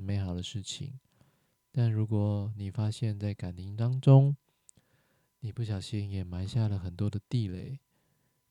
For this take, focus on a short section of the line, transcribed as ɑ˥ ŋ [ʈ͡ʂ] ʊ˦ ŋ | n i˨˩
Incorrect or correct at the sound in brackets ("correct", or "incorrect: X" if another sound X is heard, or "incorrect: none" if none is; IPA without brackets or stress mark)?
correct